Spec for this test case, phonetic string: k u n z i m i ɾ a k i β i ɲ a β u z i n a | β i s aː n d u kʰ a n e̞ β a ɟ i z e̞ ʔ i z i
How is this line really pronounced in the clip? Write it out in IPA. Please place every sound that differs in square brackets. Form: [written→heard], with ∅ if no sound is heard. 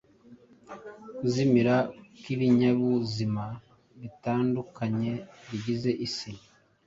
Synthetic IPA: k u [n→∅] z i m i ɾ a k i β i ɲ a β u z i [n→m] a | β i [s→t] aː n d u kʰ a [n→ɲ] e̞ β [a→i] ɟ i z e̞ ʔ i [z→s] i